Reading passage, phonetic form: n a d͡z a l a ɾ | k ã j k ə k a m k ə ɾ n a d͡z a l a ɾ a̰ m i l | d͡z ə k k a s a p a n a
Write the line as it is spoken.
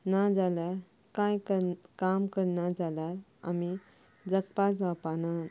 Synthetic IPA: n a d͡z a l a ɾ | k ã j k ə k a m k ə ɾ n a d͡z a l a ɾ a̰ m i | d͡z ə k p a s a p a n a